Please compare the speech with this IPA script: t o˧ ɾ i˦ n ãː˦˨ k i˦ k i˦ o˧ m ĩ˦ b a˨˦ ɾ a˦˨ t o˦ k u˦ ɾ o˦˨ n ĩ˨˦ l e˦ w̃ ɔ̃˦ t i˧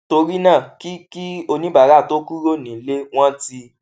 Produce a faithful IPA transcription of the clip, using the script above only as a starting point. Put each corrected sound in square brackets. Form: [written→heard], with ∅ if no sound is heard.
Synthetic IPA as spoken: t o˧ ɾ i˦ n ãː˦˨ k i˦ k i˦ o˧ [m→n] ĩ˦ b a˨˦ ɾ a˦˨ t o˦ k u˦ ɾ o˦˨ n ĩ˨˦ l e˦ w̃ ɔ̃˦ t i˧